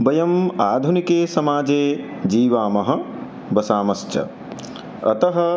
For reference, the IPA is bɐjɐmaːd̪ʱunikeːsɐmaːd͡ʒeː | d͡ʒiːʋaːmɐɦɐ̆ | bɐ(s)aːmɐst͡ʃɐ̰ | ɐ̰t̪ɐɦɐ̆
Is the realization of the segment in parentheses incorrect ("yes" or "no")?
no